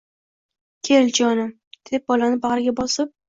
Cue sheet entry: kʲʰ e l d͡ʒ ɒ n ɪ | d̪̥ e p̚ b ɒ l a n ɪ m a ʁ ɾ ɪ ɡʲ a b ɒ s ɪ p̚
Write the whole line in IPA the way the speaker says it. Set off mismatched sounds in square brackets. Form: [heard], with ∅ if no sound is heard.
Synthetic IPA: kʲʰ e l d͡ʒ ɒ n ɪ | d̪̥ e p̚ b ɒ l a n ɪ [b] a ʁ ɾ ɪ ɡʲ a b ɒ s ɪ p̚